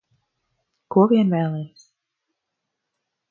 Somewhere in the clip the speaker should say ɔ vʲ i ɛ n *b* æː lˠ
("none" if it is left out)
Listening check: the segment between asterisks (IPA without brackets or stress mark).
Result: v